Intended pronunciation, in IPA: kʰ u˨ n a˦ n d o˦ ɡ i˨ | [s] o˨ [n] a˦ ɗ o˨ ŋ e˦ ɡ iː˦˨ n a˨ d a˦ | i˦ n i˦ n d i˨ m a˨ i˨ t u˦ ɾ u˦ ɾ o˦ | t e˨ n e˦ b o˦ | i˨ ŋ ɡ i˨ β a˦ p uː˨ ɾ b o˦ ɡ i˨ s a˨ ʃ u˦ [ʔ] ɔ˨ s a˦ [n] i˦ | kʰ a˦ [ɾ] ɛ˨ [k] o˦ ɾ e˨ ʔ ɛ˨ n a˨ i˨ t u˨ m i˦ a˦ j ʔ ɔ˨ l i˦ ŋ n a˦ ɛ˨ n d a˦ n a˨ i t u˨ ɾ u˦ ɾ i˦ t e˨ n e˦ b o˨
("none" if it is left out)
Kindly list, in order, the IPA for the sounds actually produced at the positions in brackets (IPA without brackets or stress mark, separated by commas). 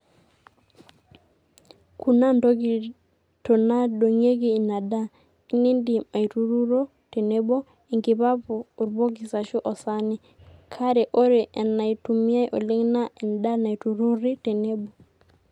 t, n, ʔ, n, ɾ, ʔ